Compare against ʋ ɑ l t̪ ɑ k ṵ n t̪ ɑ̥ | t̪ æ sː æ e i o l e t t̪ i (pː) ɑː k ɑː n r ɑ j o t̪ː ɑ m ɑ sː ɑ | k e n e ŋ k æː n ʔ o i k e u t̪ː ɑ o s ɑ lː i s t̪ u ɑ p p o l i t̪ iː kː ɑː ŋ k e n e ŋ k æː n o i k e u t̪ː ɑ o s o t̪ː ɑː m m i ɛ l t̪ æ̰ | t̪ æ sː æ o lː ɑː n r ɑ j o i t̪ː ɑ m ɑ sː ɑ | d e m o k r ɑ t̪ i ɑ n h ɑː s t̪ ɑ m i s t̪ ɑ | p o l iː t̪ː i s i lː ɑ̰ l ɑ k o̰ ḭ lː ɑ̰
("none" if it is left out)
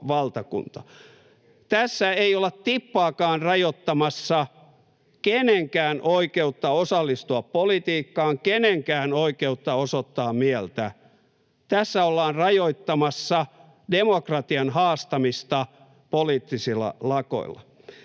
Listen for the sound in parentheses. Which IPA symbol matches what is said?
pː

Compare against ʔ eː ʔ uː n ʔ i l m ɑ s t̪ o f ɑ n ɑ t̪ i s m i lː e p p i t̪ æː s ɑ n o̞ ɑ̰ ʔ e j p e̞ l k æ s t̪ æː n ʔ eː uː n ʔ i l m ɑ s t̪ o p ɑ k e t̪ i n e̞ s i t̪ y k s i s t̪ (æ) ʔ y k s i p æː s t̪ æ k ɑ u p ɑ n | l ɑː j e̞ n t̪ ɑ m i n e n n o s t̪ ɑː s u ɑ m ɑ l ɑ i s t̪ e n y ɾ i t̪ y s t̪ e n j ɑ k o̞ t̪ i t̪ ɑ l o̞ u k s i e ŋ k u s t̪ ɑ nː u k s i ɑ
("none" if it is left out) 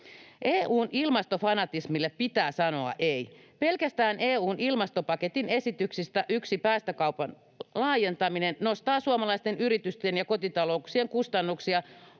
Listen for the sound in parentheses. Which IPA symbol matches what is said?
æ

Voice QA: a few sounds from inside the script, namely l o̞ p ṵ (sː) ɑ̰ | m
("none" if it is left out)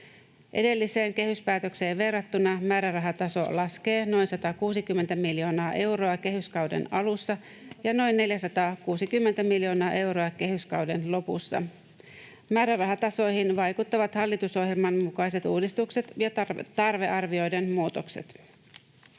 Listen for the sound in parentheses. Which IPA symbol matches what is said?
sː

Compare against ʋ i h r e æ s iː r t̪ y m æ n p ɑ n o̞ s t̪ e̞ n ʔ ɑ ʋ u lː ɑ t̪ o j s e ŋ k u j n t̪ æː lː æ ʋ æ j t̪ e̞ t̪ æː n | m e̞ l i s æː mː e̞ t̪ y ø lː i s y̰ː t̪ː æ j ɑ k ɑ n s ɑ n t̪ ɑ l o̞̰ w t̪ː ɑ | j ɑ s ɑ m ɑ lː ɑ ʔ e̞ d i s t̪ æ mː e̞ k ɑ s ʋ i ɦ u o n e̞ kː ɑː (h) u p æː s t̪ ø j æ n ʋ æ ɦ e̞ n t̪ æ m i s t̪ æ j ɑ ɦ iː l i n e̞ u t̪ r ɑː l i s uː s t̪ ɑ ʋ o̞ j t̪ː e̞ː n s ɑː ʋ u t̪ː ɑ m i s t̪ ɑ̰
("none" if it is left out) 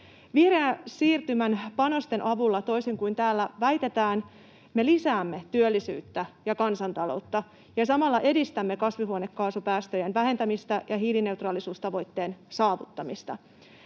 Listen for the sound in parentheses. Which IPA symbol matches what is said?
s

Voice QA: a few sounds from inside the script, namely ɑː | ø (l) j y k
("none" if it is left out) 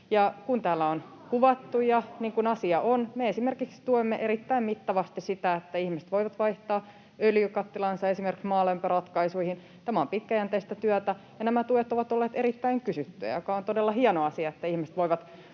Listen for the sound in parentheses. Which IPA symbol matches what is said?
l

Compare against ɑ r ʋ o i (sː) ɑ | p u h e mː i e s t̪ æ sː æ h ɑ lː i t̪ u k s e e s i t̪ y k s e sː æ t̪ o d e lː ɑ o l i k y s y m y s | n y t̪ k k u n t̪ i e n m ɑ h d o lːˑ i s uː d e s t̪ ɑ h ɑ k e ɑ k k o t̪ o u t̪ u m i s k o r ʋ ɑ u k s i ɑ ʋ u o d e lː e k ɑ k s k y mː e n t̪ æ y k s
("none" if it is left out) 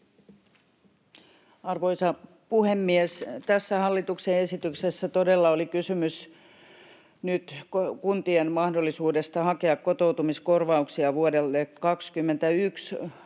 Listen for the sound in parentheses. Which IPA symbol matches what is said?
s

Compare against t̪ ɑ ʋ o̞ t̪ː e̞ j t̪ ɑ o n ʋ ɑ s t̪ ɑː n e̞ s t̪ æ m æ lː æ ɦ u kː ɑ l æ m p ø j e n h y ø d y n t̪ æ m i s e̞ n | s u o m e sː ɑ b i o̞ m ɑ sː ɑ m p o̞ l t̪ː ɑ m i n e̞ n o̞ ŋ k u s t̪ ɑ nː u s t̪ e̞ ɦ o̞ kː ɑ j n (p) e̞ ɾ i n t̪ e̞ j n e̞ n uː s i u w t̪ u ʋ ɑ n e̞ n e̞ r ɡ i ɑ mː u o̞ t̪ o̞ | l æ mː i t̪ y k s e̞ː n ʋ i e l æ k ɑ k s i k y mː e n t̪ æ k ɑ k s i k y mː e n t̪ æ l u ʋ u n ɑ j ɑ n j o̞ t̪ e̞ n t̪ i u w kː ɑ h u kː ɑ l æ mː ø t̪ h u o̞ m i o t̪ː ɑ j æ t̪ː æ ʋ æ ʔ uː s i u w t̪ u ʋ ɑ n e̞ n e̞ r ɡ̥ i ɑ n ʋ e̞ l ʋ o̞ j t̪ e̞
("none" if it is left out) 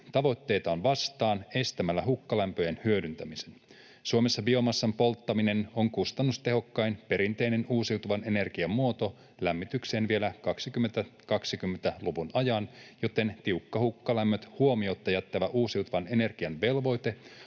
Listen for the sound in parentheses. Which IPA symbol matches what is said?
p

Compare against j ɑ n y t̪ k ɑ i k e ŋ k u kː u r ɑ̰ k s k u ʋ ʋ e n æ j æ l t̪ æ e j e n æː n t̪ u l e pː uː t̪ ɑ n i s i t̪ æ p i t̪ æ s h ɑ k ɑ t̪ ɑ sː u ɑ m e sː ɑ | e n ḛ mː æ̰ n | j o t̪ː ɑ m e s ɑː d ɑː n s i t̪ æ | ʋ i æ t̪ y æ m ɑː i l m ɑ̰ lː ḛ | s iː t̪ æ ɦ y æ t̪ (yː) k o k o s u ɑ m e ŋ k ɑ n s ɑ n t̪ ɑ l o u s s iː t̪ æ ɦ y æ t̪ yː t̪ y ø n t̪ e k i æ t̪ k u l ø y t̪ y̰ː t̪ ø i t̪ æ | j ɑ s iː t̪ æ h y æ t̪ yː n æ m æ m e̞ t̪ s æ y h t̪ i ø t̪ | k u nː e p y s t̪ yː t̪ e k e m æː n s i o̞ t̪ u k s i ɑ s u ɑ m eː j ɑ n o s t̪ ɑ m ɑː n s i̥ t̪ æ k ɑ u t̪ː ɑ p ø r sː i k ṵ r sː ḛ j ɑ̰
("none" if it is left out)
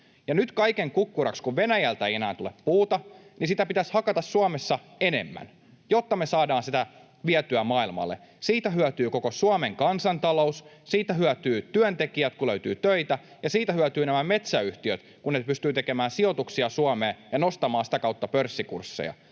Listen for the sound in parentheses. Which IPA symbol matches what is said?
yː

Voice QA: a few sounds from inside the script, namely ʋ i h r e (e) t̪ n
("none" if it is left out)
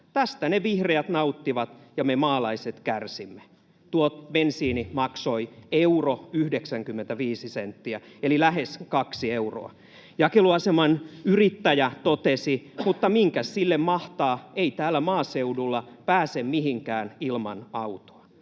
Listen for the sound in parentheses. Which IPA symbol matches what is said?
æ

